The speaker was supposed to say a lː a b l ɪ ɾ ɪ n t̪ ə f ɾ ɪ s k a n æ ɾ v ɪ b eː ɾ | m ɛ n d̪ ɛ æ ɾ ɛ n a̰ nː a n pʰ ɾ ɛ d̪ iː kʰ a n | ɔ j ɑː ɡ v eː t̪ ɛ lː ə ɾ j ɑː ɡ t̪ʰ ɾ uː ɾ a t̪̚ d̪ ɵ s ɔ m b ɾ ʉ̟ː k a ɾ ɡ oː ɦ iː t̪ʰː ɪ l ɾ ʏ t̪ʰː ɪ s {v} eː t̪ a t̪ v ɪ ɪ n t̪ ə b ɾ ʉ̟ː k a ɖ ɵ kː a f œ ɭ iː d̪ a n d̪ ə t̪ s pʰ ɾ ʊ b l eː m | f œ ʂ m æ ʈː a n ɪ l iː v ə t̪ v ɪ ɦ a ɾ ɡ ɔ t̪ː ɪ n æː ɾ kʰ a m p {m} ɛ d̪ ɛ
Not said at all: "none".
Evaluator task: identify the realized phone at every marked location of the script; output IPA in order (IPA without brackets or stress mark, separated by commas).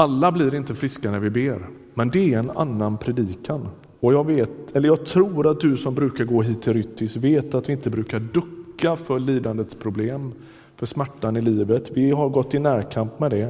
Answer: v, m